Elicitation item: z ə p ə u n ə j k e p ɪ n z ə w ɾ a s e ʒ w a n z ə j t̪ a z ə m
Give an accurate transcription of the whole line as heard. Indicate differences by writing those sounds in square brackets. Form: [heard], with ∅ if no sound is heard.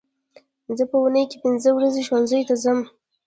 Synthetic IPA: z ə p ə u n ə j k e p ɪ n z ə w ɾ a [z] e [ʃ] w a n z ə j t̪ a z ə m